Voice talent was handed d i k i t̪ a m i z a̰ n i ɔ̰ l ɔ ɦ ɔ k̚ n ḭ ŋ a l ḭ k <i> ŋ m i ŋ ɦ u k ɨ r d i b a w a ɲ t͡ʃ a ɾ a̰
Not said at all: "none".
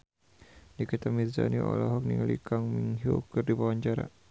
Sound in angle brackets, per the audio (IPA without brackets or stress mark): a